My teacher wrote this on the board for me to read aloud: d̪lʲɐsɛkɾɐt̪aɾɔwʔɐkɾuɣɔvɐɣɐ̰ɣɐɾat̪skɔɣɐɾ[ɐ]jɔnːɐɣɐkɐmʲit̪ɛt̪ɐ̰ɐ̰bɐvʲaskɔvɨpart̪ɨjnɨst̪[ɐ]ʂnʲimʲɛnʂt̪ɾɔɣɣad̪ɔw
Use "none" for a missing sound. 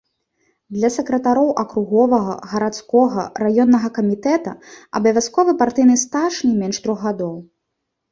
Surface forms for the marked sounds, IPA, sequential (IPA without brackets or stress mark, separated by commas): a, a